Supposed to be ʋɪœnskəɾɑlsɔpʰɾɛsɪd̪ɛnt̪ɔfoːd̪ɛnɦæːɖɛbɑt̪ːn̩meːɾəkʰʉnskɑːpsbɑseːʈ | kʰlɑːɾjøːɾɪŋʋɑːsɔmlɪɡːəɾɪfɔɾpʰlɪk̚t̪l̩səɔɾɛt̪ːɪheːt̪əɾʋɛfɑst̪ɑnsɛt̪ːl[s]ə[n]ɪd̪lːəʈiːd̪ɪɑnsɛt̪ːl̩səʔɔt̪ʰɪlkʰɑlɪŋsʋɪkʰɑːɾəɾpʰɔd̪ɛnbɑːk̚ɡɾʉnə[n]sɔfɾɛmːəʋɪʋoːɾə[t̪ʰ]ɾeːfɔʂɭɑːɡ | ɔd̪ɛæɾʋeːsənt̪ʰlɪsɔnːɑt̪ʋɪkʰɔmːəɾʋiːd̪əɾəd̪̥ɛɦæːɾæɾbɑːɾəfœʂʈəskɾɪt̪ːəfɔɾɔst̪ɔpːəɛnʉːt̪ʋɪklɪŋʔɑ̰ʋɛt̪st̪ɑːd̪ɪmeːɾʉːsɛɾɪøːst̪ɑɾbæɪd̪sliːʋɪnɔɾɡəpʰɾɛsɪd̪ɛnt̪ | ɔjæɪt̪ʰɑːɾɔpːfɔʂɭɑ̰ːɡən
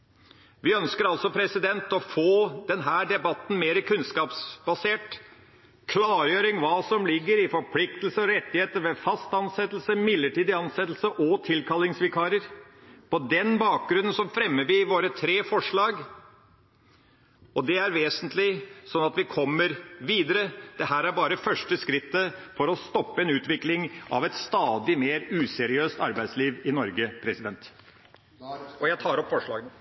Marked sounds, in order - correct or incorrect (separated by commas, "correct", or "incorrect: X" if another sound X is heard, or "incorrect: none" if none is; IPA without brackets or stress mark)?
correct, incorrect: m, correct, correct